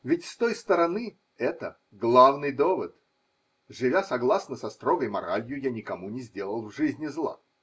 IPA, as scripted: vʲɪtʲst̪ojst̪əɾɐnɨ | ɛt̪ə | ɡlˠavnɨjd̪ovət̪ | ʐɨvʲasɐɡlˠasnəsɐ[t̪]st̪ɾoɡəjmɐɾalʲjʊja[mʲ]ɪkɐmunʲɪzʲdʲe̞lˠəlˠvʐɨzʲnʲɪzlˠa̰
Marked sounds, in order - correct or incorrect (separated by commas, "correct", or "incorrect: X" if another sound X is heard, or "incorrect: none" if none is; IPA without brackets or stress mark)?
incorrect: none, incorrect: nʲ